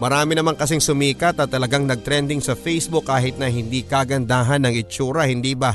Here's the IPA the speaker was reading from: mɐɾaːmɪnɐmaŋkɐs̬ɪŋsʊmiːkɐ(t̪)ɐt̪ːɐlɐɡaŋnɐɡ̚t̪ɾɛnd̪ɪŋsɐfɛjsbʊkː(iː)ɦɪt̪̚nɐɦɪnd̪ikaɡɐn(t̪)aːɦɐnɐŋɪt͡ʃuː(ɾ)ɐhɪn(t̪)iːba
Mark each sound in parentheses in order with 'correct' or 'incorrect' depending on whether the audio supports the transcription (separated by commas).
correct, incorrect, incorrect, correct, incorrect